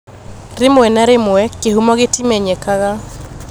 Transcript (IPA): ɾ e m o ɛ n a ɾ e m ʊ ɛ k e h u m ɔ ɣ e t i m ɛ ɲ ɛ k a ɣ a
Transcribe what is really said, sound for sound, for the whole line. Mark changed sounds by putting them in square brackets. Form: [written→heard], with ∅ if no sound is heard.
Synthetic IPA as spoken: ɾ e m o ɛ n a ɾ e m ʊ ɛ k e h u m ɔ ɣ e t i m ɛ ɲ ɛ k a ɣ a